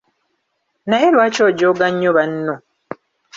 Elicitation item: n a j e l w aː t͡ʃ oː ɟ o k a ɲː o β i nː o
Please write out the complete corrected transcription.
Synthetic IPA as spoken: n a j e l w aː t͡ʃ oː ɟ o ɡ a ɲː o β a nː o